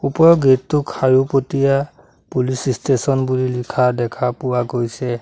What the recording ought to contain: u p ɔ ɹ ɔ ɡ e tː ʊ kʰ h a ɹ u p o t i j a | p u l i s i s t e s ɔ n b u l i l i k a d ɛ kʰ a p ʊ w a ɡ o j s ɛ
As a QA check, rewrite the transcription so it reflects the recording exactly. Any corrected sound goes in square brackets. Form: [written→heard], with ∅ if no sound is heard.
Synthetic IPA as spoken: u p ɔ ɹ ɔ ɡ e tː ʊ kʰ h a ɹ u p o t i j a | p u l i s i s t e s ɔ n b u l i l i [k→kʰ] a d ɛ kʰ a p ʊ w a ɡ o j s ɛ